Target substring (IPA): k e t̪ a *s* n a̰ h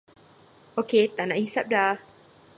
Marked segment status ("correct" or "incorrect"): incorrect